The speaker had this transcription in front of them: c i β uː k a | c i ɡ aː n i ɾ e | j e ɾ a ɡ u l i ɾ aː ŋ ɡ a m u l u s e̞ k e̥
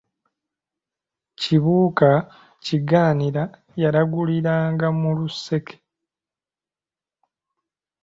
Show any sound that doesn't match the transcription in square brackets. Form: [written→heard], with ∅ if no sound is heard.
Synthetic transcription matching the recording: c i β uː k a | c i ɡ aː n i ɾ [e→a] | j [e→a] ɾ a ɡ u l i ɾ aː ŋ ɡ a m u l u s e̞ k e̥